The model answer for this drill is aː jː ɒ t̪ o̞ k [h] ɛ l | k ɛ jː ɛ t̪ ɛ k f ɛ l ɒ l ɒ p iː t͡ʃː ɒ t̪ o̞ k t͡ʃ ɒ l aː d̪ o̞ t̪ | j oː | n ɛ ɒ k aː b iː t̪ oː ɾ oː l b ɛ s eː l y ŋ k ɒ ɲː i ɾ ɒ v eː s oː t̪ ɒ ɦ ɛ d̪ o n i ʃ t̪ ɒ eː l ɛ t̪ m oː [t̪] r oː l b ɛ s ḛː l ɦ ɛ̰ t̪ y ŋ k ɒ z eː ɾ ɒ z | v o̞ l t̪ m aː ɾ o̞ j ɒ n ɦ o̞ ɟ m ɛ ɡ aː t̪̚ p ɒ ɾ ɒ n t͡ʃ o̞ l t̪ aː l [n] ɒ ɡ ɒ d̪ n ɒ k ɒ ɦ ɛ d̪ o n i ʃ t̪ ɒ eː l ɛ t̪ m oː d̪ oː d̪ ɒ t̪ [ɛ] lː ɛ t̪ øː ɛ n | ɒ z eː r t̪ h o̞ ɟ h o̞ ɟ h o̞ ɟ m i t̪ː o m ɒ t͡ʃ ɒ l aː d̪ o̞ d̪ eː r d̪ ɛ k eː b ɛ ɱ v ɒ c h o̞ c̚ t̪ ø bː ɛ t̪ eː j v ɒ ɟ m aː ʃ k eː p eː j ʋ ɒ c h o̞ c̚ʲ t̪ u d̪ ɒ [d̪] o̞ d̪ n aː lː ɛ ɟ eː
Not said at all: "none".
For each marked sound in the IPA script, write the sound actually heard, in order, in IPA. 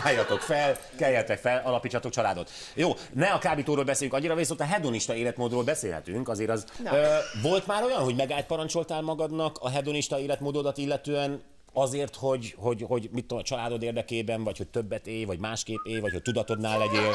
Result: f, d̪, m, i, t̪

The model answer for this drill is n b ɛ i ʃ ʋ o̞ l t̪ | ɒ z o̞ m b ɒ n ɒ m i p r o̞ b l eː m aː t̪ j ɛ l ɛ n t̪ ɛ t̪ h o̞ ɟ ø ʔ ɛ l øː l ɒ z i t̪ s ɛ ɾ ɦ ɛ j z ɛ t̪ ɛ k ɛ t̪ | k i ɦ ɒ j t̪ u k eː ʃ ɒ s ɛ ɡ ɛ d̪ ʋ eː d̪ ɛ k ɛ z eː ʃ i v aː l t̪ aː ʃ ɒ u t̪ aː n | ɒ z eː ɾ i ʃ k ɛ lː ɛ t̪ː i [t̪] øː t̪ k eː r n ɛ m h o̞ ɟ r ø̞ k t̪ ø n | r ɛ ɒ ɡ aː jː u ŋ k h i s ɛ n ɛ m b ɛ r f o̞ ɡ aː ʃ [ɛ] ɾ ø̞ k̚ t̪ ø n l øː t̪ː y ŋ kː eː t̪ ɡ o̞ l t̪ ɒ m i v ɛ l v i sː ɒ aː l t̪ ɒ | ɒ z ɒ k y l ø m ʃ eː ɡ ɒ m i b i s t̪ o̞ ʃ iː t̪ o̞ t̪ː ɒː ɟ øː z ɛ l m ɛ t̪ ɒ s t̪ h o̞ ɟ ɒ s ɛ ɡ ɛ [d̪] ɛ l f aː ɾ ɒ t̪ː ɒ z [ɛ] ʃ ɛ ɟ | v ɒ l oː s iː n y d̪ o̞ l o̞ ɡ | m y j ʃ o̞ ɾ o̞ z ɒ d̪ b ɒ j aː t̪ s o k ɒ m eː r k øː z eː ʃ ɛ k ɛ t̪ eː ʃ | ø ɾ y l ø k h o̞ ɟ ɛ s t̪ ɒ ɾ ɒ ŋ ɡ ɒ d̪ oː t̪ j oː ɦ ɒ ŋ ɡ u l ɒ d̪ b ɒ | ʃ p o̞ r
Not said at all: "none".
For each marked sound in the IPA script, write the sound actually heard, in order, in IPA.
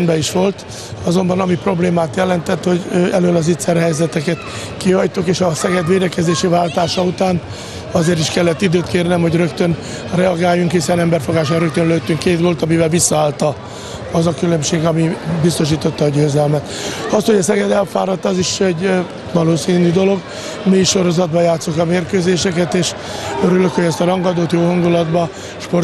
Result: d̪, a, d̪, i

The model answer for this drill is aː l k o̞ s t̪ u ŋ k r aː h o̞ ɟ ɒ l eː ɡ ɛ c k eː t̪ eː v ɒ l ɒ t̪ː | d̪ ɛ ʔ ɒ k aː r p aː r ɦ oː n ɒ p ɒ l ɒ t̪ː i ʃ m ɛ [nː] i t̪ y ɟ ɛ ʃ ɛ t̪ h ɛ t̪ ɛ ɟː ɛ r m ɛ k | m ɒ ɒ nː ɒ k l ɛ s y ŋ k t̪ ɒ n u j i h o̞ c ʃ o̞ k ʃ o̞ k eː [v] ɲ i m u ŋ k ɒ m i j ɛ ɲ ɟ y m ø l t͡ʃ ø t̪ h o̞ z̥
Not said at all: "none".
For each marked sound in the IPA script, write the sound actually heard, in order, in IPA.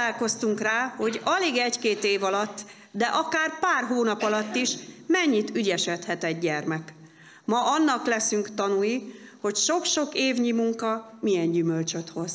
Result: ɲː, v

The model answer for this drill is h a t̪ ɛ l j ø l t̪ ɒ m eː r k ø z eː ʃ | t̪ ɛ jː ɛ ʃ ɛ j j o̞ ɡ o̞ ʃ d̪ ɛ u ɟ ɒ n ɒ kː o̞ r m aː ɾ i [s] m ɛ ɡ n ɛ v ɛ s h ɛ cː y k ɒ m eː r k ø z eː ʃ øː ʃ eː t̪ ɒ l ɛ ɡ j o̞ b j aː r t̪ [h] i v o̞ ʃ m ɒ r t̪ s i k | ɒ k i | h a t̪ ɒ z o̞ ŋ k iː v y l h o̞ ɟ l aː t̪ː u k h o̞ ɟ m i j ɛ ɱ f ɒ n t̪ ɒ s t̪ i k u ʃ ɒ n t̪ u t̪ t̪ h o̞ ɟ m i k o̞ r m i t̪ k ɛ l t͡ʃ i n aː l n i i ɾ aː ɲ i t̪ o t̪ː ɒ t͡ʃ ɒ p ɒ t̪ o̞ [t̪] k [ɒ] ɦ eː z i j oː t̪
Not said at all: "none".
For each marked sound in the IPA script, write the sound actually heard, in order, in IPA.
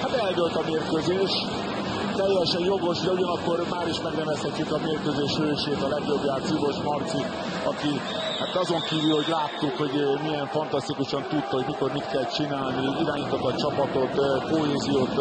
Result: ʃ, s, t̪, o

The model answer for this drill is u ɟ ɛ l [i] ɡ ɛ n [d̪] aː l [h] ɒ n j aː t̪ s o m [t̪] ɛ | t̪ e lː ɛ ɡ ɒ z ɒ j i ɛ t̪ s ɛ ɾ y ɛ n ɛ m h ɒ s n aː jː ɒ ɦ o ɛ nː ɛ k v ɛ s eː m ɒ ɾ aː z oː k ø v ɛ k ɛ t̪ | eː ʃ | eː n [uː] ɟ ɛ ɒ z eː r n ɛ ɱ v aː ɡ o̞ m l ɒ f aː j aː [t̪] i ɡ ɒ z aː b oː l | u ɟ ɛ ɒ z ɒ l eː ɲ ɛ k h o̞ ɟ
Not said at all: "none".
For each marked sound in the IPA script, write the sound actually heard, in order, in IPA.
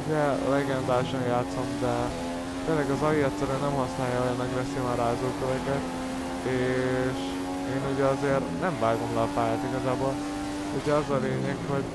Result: ɛ, d̪, ʃ, d̪, u, t̪

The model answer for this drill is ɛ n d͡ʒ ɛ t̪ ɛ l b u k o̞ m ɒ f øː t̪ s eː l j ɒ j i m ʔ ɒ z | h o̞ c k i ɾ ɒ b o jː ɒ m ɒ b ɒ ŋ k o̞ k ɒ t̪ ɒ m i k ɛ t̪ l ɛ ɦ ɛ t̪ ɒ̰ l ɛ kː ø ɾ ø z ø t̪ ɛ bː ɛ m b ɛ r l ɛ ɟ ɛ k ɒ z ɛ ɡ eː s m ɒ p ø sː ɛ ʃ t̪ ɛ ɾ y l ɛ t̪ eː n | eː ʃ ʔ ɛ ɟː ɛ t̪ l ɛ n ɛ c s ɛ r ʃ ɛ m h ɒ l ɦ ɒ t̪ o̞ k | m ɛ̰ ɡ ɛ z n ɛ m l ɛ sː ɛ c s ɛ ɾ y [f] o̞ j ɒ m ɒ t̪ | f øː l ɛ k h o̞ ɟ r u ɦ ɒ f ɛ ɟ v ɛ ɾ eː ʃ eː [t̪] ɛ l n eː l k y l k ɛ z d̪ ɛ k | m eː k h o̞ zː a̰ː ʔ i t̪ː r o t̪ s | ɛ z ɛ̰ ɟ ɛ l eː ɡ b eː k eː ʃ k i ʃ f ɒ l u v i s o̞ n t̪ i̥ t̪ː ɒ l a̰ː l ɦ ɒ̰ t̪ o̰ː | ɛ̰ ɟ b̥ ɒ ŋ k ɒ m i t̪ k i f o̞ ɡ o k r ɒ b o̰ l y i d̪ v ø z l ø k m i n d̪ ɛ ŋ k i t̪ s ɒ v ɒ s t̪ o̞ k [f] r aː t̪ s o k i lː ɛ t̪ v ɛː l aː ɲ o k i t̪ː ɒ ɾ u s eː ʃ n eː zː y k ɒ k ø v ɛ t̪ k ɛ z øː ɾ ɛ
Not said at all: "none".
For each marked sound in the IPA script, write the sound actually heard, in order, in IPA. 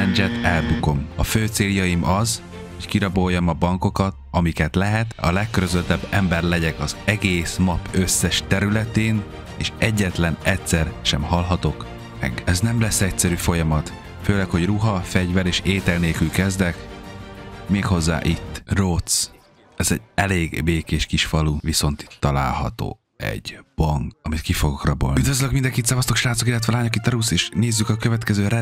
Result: f, t̪, ʃ

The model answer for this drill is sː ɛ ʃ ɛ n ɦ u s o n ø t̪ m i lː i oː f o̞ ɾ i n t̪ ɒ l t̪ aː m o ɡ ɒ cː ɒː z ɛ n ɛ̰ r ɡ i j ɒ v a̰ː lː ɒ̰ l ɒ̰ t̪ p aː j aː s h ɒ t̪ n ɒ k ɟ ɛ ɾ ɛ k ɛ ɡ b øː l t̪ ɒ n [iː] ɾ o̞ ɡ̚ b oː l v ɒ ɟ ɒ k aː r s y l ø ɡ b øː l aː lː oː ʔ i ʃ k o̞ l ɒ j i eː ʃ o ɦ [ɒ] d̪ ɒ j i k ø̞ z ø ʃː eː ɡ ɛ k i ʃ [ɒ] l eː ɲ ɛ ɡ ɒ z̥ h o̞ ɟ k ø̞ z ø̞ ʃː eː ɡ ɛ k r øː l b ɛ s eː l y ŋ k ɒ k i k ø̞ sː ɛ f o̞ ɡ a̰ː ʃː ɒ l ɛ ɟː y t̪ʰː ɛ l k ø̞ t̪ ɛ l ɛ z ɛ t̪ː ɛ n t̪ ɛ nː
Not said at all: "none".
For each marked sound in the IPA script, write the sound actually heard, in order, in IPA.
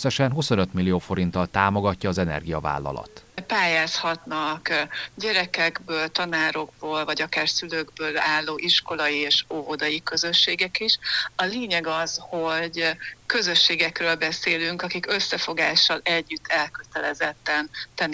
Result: aː, o, ɒ

